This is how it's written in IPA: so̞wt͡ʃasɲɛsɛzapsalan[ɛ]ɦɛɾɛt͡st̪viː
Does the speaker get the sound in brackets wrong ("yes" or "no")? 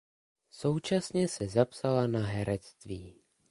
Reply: yes